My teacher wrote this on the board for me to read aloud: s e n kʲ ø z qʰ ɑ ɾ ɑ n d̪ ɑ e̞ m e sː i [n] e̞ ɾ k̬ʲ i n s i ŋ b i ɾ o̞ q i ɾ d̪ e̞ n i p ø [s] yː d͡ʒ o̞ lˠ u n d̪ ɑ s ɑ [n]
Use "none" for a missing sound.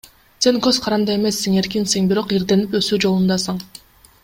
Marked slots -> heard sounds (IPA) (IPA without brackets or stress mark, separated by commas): ŋ, s, ɴ